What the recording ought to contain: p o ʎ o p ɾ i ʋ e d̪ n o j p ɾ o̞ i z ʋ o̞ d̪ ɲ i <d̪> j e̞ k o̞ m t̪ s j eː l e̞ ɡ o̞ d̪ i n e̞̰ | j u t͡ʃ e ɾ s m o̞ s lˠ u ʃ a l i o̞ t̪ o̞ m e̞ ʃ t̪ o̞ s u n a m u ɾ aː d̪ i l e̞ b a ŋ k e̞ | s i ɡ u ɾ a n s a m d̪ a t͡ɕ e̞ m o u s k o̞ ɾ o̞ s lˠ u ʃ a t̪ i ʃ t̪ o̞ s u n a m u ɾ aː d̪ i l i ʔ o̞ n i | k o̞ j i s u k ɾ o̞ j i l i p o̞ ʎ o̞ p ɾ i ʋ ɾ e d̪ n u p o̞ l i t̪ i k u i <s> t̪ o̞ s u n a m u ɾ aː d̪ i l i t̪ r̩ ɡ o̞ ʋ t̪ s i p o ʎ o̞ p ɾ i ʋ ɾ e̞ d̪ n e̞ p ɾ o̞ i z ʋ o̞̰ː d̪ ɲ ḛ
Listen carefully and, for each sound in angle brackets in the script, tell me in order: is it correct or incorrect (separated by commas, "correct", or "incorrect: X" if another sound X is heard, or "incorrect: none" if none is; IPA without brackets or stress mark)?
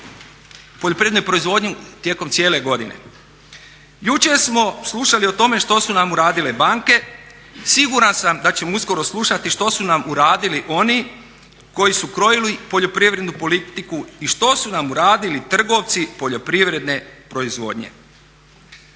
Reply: incorrect: t̪, incorrect: ʃ